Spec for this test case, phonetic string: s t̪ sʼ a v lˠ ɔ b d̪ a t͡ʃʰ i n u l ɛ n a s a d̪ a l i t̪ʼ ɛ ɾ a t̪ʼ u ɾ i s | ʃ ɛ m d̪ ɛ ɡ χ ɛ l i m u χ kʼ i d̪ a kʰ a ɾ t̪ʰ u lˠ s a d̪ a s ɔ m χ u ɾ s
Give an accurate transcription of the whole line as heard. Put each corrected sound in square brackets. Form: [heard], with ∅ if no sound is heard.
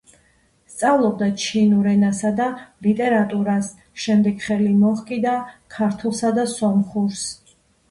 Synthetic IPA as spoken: s t̪ sʼ a v lˠ ɔ b d̪ a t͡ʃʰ i n u [ɾ] ɛ n a s a d̪ a l i t̪ʼ ɛ ɾ a t̪ʼ u ɾ [a] s | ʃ ɛ m d̪ ɛ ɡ χ ɛ l i m [ɔ] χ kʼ i d̪ a kʰ a ɾ t̪ʰ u lˠ s a d̪ a s ɔ m χ u ɾ s